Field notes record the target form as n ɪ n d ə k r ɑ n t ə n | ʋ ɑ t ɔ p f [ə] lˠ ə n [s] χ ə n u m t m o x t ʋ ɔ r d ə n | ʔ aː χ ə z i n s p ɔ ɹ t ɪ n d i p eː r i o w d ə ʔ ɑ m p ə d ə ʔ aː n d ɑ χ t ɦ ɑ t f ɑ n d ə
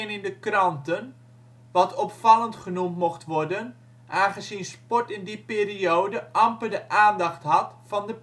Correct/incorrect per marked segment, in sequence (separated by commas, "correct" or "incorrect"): incorrect, incorrect